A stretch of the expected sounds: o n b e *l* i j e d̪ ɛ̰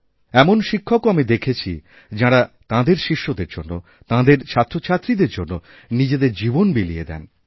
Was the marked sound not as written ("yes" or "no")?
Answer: no